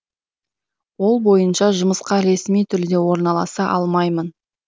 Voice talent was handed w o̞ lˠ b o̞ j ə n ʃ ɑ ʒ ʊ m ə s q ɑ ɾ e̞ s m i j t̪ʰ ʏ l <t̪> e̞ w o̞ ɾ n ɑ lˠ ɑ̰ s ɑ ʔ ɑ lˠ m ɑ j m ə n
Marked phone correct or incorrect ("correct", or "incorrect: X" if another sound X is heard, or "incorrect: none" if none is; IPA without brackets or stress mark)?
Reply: incorrect: d̪